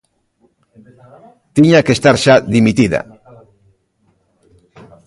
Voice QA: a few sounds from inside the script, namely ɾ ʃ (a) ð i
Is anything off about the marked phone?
no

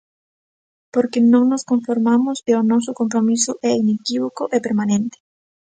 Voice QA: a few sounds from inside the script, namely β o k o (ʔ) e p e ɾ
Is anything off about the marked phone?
no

